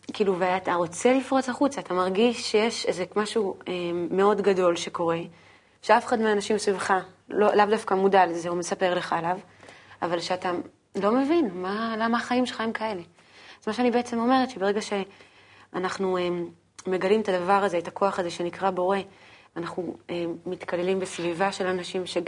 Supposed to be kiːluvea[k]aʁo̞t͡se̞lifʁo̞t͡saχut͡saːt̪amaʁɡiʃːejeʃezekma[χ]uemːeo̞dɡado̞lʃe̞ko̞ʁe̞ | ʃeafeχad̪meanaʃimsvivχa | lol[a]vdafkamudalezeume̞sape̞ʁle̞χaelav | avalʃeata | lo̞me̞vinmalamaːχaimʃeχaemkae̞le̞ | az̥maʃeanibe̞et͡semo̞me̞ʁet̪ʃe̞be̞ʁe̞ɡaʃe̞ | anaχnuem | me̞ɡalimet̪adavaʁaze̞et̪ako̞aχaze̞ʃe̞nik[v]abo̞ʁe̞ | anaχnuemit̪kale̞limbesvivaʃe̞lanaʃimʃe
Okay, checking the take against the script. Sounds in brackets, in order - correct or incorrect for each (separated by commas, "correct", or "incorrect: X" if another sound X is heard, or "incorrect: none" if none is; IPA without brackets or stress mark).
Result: incorrect: t, incorrect: ʃ, correct, incorrect: ʁ